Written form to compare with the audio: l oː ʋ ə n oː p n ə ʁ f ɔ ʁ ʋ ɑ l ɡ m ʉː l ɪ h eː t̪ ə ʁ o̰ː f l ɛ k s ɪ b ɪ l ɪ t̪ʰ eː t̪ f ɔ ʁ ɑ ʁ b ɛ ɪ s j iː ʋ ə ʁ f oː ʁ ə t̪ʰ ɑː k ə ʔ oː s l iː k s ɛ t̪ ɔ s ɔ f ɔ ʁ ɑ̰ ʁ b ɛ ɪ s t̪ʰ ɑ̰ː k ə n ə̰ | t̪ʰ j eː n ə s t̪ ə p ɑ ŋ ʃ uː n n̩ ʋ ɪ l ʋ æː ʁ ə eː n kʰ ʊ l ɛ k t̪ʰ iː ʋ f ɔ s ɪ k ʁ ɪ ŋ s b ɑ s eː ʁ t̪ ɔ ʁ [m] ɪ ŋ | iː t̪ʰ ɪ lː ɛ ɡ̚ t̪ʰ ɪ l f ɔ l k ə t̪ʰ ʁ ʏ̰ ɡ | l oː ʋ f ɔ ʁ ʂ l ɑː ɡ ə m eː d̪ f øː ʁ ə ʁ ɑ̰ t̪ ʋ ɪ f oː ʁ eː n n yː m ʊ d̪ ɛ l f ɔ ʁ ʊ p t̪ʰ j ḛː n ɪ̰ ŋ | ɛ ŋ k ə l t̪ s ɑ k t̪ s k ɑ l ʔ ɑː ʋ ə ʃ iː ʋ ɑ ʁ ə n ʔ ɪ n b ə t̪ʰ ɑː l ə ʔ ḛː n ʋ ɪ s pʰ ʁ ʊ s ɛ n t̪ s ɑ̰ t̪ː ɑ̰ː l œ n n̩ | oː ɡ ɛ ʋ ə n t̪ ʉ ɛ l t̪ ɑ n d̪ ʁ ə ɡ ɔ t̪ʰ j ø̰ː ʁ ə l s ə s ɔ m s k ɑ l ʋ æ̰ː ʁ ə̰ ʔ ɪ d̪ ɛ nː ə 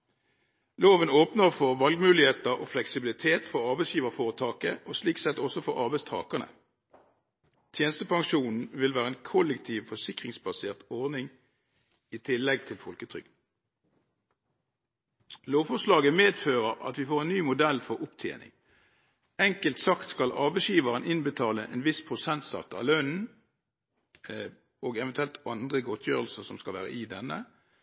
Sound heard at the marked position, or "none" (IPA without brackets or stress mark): n